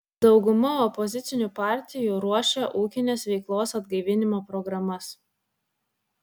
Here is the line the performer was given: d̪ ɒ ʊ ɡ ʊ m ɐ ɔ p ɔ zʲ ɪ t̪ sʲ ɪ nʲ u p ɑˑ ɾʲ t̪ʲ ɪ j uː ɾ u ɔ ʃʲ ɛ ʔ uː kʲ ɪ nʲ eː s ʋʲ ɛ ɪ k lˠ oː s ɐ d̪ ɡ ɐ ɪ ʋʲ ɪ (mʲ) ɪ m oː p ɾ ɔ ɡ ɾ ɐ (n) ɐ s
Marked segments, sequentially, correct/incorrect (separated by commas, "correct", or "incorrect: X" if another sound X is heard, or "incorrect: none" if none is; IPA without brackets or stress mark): incorrect: nʲ, incorrect: m